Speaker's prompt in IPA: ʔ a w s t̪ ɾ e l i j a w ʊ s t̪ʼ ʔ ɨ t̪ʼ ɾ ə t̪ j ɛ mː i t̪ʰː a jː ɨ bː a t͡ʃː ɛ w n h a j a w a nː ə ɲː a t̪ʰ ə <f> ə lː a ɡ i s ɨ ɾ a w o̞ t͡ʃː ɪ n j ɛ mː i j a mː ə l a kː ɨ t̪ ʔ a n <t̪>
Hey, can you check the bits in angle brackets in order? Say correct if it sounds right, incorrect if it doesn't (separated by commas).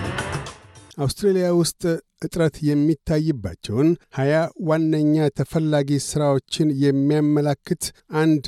correct, incorrect